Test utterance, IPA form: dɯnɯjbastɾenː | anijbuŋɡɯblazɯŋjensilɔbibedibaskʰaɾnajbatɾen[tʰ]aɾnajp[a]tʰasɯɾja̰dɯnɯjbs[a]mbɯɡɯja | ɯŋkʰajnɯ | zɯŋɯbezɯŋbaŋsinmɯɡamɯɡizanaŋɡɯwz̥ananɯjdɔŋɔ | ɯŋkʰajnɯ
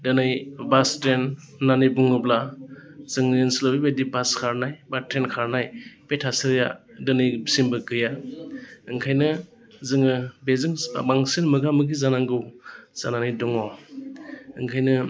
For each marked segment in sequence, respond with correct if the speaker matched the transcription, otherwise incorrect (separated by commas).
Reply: incorrect, incorrect, incorrect